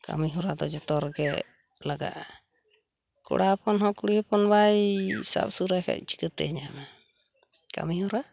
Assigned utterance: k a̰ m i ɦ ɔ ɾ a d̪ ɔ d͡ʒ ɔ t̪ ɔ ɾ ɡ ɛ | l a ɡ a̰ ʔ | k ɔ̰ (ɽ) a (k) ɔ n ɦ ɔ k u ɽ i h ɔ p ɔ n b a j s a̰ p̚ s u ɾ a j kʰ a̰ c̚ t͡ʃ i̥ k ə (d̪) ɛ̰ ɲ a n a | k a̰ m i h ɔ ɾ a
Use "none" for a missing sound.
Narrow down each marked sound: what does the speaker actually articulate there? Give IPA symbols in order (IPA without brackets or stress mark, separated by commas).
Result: ɽ, p, t̪